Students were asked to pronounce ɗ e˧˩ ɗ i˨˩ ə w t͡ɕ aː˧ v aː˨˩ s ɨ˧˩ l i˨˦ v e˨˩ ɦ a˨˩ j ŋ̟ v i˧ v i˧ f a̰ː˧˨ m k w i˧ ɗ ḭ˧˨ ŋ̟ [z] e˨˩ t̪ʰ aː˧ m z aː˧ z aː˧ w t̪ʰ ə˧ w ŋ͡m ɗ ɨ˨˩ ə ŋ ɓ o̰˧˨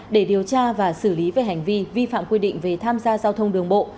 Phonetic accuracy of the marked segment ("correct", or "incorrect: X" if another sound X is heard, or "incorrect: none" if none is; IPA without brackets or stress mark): incorrect: v